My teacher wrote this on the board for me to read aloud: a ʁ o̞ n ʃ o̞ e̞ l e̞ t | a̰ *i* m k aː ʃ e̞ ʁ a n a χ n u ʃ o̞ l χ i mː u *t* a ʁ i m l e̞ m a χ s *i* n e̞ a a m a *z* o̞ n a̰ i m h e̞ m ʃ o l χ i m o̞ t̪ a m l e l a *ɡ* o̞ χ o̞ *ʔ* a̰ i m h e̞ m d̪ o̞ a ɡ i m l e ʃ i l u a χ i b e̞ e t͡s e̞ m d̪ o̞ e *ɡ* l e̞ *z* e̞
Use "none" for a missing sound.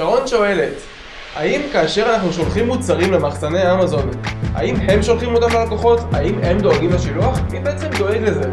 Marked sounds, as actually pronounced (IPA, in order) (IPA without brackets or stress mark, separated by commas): i, t͡s, a, z, k, t, ɡ, z